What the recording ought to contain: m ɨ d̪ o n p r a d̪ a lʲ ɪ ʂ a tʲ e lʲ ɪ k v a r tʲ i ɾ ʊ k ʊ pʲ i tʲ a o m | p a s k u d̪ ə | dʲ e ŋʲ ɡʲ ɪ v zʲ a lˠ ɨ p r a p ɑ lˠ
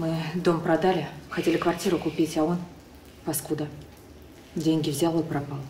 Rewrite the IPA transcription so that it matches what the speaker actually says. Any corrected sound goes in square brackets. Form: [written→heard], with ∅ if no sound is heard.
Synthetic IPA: m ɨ d̪ o [n→m] p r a d̪ a lʲ ɪ [ʂ→x] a tʲ e lʲ ɪ k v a r tʲ i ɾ ʊ k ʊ pʲ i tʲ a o [m→n] | p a s k u d̪ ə | dʲ e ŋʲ ɡʲ ɪ v zʲ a lˠ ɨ p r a p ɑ lˠ